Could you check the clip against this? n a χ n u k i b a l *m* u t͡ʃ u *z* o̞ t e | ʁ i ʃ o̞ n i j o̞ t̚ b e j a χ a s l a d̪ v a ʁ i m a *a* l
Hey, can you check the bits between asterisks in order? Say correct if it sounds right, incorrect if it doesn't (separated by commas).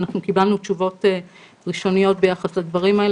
incorrect, incorrect, incorrect